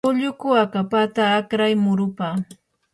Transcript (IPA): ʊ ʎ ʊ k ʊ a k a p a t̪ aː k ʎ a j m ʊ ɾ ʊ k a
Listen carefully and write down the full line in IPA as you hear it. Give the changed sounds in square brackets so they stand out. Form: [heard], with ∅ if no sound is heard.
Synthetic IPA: ʊ ʎ ʊ k ʊ a k a p a t̪ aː k [ɾ] a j m ʊ ɾ ʊ [p] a